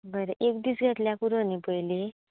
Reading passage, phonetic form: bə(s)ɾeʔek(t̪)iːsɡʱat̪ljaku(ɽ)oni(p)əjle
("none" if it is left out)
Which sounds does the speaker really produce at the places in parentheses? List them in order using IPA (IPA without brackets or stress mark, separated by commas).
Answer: none, d̪, ɾ, p